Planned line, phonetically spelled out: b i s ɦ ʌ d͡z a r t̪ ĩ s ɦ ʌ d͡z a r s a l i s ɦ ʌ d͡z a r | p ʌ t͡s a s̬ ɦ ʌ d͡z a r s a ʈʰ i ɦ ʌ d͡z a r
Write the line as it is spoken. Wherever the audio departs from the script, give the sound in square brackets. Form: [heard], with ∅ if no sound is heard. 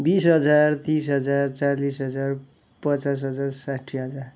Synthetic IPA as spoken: b i s ɦ ʌ d͡z a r t̪ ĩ s ɦ ʌ d͡z a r [t͡s] a l i s ɦ ʌ d͡z a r | p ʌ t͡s a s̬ ɦ ʌ d͡z a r s a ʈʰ i ɦ ʌ d͡z a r